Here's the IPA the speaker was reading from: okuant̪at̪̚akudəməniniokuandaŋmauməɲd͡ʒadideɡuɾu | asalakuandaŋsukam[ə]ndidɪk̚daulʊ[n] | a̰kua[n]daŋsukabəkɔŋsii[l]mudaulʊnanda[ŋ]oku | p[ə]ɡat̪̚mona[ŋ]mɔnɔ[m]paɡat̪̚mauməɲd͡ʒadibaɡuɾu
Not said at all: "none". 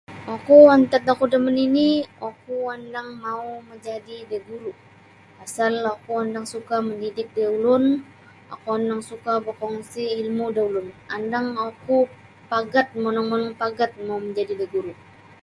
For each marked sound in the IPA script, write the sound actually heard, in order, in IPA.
ə, n, n, l, ŋ, a, ŋ, ŋ

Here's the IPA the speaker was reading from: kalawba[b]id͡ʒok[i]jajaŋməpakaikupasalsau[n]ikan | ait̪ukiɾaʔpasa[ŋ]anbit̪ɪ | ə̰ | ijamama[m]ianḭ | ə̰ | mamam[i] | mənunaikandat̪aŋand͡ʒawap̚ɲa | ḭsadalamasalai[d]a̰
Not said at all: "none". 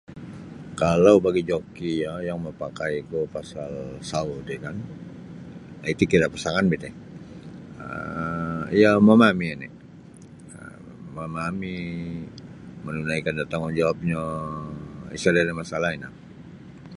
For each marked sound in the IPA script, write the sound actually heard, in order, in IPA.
ɡ, i, d, ŋ, m, i, n

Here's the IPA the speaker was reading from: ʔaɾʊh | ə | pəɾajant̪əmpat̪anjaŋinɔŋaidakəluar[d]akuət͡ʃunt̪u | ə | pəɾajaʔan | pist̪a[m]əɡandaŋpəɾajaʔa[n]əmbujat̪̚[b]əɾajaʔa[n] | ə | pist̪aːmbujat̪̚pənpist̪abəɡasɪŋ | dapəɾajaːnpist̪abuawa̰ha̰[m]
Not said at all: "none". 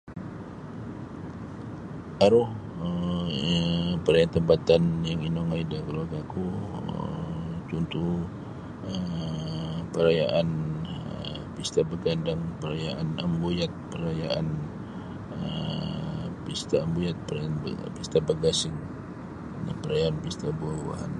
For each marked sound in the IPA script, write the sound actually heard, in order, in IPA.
ɡ, b, n, p, n, n

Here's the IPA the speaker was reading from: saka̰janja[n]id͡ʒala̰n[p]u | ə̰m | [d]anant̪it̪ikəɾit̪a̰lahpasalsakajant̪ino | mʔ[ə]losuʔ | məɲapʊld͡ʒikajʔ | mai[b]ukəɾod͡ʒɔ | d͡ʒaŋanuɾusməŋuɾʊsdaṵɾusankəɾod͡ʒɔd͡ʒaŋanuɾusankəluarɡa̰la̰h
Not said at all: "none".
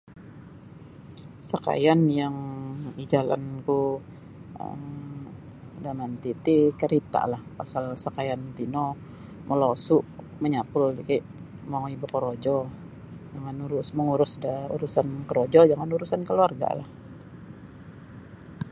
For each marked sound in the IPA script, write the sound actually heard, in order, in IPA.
ŋ, k, d, ə, b

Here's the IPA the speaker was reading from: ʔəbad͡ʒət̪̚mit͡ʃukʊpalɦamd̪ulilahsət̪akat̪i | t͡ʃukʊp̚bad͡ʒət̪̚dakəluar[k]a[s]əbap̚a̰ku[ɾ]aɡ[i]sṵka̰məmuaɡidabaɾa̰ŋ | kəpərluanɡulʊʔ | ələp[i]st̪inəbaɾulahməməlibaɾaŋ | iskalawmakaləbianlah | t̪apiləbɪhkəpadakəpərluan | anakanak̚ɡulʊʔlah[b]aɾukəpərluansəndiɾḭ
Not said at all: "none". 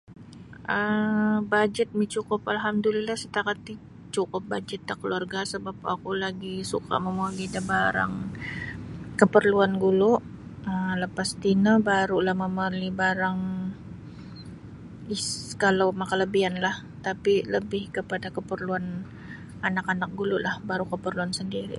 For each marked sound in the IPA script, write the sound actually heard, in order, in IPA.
ɡ, s, l, i, a, b

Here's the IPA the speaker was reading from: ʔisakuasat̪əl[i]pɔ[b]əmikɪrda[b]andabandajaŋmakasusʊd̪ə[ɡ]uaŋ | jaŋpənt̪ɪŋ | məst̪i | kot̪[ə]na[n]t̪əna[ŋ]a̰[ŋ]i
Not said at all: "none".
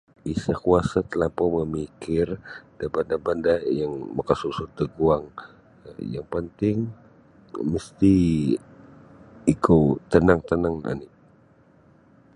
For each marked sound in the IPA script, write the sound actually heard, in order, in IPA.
a, m, b, ɡ, ə, ŋ, ŋ, n

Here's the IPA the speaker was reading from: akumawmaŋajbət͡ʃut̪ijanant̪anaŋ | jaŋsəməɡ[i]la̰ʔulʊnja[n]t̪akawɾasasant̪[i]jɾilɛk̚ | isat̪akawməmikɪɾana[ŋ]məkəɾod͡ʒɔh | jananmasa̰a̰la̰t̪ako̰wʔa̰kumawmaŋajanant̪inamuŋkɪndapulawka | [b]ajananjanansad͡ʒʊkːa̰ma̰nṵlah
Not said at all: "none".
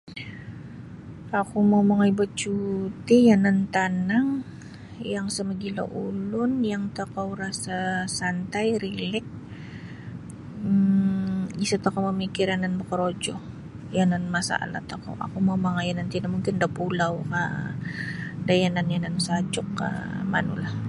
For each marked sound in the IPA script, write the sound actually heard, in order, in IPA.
i, ŋ, a, n, d

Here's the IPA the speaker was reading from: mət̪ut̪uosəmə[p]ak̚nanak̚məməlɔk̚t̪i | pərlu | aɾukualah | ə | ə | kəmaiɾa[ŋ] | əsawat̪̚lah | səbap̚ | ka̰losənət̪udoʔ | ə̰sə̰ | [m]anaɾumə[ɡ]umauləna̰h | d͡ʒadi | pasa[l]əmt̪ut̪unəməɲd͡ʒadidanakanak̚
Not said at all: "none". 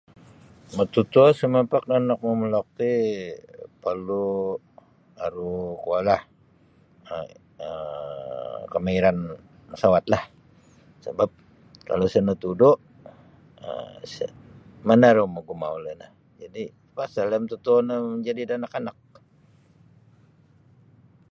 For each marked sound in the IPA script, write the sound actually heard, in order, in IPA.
p, n, m, ɡ, l

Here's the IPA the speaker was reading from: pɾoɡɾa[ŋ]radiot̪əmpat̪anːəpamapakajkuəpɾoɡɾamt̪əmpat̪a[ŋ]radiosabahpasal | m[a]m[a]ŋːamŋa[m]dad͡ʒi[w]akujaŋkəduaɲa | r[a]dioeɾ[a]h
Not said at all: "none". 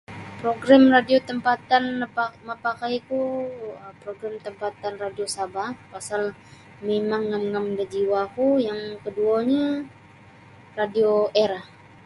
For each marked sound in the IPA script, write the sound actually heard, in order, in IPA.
m, n, e, a, m, w, a, a

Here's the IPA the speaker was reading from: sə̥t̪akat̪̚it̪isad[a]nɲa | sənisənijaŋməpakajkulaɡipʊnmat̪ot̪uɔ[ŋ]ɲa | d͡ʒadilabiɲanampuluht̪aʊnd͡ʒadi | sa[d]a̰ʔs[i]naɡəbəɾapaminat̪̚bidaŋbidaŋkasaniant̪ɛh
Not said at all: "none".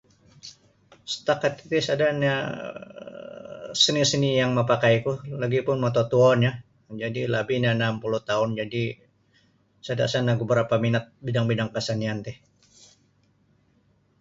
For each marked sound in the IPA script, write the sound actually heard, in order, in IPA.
a, n, d, a

